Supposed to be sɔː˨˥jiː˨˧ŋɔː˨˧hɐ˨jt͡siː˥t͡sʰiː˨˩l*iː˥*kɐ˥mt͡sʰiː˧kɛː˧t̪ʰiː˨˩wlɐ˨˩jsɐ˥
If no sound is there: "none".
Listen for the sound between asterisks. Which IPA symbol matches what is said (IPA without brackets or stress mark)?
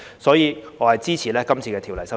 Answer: ɛː˥